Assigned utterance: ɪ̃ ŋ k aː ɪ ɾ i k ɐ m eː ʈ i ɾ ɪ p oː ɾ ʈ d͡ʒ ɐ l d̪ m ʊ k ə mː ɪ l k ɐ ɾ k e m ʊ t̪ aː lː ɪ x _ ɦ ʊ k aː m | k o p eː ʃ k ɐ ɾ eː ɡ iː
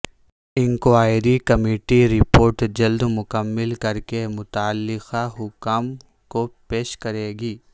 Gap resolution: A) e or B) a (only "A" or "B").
B